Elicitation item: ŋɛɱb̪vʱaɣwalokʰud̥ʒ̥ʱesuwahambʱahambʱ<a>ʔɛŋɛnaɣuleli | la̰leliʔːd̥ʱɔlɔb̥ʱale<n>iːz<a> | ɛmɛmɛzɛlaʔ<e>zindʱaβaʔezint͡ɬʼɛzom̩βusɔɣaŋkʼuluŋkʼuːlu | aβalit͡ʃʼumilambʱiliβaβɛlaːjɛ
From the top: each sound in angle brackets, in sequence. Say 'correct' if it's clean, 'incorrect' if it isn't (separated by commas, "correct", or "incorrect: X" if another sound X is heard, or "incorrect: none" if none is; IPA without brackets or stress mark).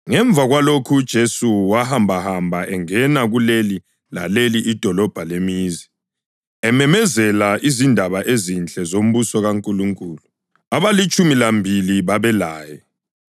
correct, incorrect: m, incorrect: i, incorrect: i